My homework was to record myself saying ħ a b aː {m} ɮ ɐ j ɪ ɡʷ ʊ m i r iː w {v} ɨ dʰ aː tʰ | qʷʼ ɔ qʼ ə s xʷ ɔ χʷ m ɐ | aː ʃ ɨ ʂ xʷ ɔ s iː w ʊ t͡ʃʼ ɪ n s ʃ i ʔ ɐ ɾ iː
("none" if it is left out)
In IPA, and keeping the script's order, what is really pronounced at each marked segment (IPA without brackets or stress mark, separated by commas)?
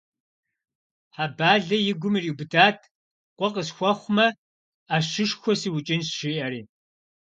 none, b